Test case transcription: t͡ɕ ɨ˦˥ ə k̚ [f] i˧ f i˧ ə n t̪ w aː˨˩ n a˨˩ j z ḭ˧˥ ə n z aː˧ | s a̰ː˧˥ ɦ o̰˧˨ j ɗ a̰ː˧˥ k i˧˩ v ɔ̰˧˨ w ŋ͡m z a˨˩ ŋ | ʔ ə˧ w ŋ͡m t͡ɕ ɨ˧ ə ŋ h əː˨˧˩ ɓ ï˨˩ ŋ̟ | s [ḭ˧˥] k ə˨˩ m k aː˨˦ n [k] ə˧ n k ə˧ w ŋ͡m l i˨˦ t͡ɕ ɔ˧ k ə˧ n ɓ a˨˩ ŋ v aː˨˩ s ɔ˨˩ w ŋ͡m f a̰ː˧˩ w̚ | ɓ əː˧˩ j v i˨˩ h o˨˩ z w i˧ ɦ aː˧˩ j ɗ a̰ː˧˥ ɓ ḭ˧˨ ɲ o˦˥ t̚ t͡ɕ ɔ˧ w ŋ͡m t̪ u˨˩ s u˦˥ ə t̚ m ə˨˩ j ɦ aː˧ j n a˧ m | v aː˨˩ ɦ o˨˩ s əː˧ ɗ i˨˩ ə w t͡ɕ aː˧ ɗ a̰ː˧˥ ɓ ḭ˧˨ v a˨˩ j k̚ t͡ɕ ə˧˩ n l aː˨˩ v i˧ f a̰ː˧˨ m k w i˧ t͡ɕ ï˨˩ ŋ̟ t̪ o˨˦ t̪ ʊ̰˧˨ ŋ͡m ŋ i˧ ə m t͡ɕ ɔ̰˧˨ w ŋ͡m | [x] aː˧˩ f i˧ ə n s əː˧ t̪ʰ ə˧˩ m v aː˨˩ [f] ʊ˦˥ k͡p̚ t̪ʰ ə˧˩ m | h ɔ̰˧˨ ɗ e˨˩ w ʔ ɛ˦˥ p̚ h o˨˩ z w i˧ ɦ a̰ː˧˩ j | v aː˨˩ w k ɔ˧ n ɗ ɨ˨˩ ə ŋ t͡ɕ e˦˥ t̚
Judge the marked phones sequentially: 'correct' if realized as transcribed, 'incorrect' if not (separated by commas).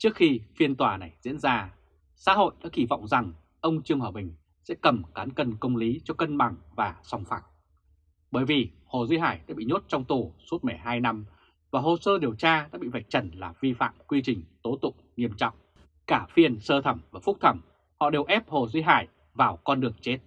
incorrect, incorrect, correct, incorrect, correct